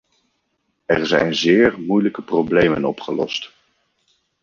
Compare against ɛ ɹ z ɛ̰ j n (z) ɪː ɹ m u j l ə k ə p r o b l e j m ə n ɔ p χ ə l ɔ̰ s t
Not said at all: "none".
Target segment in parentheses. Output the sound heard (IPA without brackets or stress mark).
z